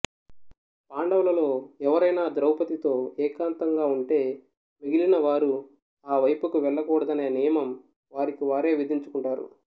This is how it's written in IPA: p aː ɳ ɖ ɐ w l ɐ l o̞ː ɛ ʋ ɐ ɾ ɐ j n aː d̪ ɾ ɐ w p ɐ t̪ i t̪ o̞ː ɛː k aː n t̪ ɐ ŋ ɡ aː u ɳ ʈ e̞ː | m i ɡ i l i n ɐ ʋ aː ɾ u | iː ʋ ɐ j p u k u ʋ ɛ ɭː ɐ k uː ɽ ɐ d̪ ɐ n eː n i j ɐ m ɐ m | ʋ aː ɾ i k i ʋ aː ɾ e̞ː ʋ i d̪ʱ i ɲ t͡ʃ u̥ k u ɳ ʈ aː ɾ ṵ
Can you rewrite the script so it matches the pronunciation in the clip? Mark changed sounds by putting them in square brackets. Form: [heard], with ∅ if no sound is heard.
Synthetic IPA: p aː ɳ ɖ ɐ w l ɐ l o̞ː ɛ ʋ ɐ ɾ ɐ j n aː d̪ ɾ ɐ w p ɐ t̪ i t̪ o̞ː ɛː k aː n t̪ ɐ ŋ ɡ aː u ɳ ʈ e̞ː | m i ɡ i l i n ɐ ʋ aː ɾ u | [aː] ʋ ɐ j p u k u ʋ ɛ ɭː ɐ k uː ɽ ɐ d̪ ɐ n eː n i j ɐ m ɐ m | ʋ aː ɾ i k i ʋ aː ɾ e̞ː ʋ i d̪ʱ i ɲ t͡ʃ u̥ k u ɳ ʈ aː ɾ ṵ